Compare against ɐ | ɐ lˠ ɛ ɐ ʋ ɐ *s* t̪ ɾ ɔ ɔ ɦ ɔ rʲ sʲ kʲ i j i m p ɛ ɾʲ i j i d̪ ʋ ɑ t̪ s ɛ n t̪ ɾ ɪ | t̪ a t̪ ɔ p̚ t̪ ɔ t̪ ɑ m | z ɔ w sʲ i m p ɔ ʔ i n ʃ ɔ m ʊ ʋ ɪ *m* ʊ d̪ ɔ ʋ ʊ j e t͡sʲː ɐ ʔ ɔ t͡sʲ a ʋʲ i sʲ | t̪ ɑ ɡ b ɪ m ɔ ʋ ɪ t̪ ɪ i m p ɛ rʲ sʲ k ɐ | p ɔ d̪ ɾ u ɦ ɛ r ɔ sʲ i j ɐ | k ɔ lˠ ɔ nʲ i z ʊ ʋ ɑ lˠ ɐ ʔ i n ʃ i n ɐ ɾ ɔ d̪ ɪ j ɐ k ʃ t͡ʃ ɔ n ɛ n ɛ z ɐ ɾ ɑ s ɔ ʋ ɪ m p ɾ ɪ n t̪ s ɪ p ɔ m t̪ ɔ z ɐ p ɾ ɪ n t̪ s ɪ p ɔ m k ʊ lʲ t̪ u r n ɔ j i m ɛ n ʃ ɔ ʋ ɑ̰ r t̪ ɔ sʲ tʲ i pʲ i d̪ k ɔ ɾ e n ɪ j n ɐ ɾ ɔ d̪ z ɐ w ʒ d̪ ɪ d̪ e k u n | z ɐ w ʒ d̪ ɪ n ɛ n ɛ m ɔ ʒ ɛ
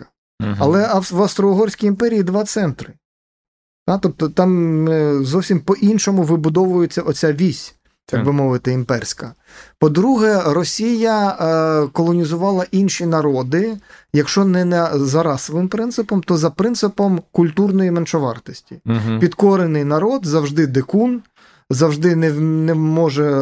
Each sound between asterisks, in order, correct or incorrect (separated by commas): correct, incorrect